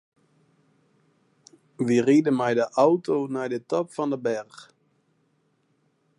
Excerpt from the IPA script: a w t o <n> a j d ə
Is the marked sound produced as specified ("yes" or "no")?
yes